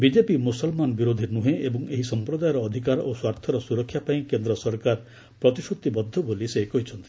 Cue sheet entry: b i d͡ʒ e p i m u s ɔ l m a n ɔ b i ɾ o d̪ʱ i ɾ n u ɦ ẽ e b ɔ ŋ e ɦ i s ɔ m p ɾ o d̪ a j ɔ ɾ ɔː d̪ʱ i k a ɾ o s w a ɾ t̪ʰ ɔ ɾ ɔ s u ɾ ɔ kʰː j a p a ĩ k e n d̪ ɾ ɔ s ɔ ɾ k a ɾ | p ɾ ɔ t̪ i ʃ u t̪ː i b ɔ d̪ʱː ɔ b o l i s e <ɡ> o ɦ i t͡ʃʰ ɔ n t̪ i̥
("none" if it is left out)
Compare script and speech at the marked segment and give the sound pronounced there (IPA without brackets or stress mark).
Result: k